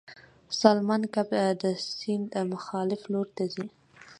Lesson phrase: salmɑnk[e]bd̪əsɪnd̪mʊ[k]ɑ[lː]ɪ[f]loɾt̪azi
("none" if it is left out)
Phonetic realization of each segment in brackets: a, x, l, f

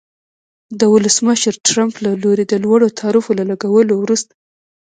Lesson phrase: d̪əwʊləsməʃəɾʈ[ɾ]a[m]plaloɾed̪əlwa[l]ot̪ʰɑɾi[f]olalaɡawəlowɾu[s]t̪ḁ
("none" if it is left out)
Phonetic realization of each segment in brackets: ɾ, m, ɽ, f, s

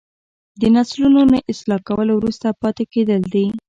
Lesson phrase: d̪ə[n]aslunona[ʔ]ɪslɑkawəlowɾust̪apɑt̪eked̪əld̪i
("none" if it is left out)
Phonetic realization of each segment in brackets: n, ʔ

